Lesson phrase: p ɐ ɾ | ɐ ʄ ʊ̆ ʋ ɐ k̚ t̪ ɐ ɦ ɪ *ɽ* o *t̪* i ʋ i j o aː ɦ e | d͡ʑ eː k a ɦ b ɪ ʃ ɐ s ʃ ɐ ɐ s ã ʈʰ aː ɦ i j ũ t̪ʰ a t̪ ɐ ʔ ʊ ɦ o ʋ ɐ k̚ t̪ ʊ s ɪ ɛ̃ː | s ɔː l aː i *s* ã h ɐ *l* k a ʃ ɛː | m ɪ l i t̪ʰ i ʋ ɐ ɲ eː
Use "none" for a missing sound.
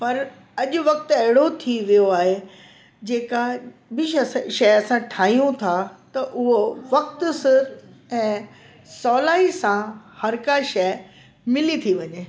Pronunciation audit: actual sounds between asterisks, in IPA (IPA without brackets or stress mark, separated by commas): ɽ, t̪ʰ, s, ɾ